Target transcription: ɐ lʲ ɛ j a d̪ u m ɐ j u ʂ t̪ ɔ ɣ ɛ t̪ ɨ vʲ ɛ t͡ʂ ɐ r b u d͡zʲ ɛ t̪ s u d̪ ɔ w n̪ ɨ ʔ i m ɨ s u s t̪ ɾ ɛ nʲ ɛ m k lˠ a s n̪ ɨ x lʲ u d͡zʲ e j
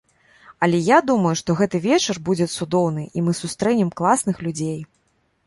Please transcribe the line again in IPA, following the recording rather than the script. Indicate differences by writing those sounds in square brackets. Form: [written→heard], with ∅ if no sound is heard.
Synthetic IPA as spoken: ɐ lʲ ɛ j a d̪ u m ɐ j u ʂ t̪ ɔ ɣ ɛ t̪ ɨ vʲ ɛ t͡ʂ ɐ r b u d͡zʲ ɛ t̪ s u d̪ ɔ w n̪ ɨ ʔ i m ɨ s u s t̪ ɾ ɛ nʲ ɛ m k lˠ a s n̪ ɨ x lʲ u d͡zʲ e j